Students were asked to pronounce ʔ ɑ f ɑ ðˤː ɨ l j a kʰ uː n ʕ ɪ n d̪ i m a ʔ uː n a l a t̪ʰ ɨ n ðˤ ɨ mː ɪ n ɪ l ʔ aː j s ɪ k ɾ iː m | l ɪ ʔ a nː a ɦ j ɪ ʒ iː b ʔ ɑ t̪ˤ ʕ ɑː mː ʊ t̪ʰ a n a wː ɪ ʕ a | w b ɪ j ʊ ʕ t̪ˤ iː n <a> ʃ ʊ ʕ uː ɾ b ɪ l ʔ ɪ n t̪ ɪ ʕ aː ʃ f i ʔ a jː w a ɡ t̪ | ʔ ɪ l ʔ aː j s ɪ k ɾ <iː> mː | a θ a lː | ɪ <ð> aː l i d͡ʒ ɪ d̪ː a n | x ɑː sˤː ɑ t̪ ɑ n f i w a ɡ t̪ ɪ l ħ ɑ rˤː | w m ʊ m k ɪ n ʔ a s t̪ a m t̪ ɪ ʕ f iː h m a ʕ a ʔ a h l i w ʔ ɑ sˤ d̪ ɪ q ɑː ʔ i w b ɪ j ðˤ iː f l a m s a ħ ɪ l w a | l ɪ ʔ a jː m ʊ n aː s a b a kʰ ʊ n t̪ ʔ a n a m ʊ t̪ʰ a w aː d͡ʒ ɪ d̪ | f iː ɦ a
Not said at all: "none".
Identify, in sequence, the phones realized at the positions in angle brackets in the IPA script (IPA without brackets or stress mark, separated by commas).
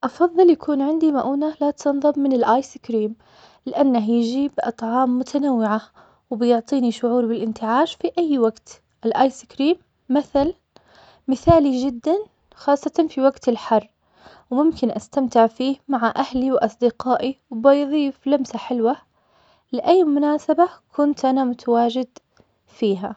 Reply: i, iː, θ